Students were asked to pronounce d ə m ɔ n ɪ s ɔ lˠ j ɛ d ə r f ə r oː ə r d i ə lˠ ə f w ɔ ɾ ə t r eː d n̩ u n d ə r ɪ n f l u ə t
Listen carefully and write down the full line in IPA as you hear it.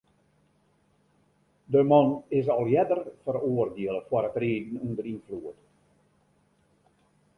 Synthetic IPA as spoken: d ə m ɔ n ɪ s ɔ lˠ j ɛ d ə r f ə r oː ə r d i ə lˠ ə f w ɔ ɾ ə t r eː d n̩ u n d ə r i n f l u ə t

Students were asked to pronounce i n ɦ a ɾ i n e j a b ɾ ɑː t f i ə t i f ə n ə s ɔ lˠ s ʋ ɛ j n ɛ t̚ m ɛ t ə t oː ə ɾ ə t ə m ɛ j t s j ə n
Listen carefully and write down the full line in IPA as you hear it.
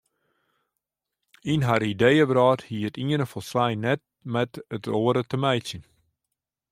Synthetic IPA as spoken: i n ɦ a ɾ i d e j ə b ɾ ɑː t h i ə t i ə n ə f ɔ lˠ s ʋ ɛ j n ɛ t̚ m ɛ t ə t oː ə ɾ ə t ə m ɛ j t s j ə n

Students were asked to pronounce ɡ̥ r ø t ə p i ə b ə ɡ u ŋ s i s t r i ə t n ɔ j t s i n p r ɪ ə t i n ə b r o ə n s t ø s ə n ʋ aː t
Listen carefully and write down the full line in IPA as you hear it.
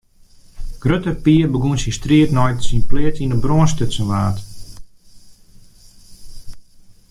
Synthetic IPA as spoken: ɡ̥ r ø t ə p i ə b ə ɡ u n s i s t r i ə t n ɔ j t s i n p l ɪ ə t i n ə b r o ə n s t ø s ə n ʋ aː t

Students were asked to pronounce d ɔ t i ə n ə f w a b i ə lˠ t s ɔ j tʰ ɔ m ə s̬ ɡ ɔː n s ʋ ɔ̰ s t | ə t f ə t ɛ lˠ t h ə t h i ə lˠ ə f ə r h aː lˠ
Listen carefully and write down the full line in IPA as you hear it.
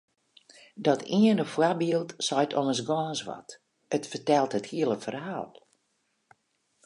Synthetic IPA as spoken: d ɔ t i ə n ə f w a b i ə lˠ t s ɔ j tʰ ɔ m ə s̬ ɡ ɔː n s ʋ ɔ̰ t | ə t f ə t ɛ lˠ t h ə t h i ə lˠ ə f ə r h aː lˠ

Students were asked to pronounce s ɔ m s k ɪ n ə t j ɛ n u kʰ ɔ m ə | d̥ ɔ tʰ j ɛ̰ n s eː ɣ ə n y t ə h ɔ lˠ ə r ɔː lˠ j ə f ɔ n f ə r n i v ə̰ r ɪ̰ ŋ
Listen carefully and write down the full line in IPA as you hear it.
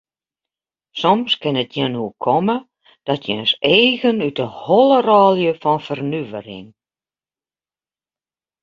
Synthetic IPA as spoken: s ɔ m s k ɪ n ə t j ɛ n u kʰ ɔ m ə | d̥ ɔ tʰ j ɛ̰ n s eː ɣ ə n y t ə h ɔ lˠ ə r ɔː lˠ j ə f ɔ n f ə r n y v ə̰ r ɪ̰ ŋ

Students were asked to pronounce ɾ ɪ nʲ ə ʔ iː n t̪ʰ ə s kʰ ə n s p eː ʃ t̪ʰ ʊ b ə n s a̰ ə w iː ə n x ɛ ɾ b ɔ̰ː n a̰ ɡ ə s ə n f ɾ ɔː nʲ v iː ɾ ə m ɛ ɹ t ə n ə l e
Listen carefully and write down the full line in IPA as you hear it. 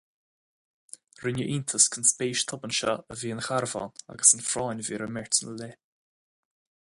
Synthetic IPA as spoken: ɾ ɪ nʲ ə ʔ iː n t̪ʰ ə s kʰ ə n s p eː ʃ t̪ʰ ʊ b ə n ʃ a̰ ə v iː ə n x a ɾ v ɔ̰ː n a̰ ɡ ə s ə n f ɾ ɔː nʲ v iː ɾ ə m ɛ ɹ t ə n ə l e

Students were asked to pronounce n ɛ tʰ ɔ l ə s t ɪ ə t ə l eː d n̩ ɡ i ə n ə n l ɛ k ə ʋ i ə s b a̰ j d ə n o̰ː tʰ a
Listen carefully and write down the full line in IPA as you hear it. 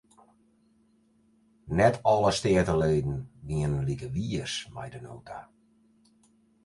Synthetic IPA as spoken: n ɛ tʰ ɔ l ə s t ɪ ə t ə l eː d n̩ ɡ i ə n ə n l i k ə ʋ i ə s m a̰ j d ə n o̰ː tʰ a

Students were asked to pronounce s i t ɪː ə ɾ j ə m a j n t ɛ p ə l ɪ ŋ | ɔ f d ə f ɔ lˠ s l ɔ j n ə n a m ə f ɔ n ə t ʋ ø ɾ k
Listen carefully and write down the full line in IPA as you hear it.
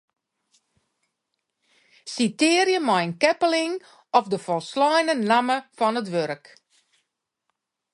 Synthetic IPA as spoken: s i t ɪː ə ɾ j ə m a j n k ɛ p ə l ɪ ŋ | ɔ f d ə f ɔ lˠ s l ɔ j n ə n a m ə f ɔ n ə t ʋ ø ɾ k

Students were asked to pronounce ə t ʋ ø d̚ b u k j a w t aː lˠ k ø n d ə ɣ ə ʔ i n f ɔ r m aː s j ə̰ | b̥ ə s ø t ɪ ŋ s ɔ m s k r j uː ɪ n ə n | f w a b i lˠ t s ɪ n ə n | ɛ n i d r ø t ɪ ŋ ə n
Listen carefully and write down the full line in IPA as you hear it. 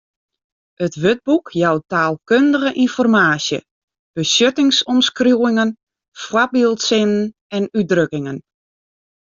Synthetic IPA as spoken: ə t ʋ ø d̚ b u k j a w t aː lˠ k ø n d ə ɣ ə ʔ i n f ɔ r m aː s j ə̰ | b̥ ə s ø t ɪ ŋ s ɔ m s k r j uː ɪ ŋ ə n | f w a b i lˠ t s ɪ n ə n | ɛ n y d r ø k ɪ ŋ ə n

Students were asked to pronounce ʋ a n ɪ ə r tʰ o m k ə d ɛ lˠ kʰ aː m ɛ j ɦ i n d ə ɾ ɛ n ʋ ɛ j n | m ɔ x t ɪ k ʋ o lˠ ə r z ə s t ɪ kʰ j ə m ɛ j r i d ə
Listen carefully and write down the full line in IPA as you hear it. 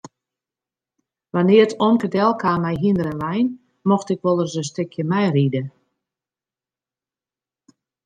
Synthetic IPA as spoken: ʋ a n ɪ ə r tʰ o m k ə d ɛ lˠ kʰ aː m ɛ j ɦ i n d ə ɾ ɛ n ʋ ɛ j n | m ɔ x t ɪ k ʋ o lˠ ə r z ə s t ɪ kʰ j ə m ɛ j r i d ə

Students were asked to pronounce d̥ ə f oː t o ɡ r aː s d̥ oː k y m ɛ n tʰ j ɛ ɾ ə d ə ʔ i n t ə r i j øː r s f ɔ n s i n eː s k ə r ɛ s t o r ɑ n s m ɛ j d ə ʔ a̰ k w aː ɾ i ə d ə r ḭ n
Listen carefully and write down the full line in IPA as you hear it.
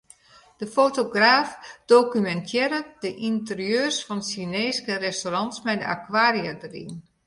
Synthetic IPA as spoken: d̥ ə f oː t o ɡ r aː f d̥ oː k y m ɛ n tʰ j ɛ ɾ ə d ə ʔ i n t ə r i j øː r s f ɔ n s i n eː s k ə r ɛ s t o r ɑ n s m ɛ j d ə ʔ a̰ k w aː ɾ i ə d ə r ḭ n

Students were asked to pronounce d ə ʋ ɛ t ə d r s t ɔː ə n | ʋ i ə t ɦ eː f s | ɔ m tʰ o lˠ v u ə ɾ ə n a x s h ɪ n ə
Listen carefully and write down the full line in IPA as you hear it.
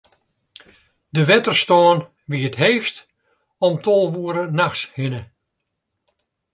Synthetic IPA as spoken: d ə ʋ ɛ t ə r s t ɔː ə n | ʋ i ə t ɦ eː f t | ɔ m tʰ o lˠ ʋ u ə ɾ ə n a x s h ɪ n ə

